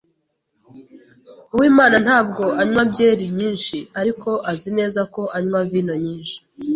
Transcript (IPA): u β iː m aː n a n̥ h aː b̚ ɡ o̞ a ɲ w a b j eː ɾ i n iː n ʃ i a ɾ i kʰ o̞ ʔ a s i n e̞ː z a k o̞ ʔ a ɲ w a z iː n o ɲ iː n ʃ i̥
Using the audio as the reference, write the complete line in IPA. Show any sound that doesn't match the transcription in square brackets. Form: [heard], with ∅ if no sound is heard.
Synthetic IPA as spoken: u [w] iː m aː n a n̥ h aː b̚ ɡ o̞ a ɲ w a b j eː ɾ i [ɲ] iː n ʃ i a ɾ i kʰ o̞ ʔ a [z] i n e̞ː z a k o̞ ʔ a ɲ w a [v] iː n o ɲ iː n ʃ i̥